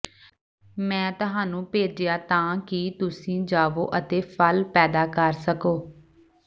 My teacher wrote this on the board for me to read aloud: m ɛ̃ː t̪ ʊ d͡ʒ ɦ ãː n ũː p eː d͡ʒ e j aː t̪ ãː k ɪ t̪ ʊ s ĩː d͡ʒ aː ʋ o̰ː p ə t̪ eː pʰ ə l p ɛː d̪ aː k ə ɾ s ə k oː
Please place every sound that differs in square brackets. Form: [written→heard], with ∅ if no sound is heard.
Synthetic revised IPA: m ɛ̃ː t̪ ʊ [d͡ʒ→∅] ɦ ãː n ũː p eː d͡ʒ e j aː t̪ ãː k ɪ t̪ ʊ s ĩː d͡ʒ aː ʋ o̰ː [p→ʔ] ə t̪ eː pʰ ə l p ɛː d̪ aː k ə ɾ s ə k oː